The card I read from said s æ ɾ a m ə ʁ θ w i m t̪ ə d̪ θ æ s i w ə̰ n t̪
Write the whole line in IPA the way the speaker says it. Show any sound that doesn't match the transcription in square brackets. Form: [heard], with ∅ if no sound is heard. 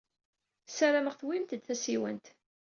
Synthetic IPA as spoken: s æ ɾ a m ə ʁ θ w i m t̪ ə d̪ θ æ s i w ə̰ n t̪